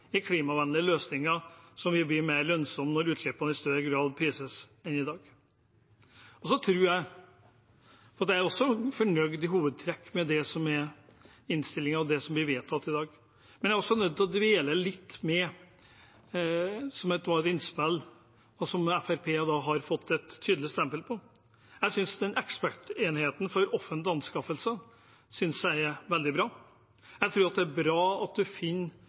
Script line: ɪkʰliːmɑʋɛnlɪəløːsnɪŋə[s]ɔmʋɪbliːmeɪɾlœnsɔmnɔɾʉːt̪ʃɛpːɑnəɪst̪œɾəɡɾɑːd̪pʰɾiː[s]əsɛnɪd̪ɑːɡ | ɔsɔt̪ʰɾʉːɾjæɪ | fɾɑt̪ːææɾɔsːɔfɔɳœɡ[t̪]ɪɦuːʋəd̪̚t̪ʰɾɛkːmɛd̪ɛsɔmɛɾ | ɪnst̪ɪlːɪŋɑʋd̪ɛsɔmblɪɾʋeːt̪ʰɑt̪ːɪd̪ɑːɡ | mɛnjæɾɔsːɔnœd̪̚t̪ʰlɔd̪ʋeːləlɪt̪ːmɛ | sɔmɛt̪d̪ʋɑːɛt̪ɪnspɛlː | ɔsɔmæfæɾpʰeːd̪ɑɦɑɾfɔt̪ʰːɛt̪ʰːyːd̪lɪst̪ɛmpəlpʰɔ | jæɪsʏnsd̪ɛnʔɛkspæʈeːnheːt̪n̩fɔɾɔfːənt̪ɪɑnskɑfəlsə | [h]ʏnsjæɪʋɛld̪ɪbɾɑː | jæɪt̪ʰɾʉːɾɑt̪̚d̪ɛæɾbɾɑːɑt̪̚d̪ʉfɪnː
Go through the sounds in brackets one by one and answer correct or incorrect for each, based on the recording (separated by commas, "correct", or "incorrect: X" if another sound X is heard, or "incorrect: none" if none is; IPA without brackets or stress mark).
correct, correct, incorrect: d̪, incorrect: s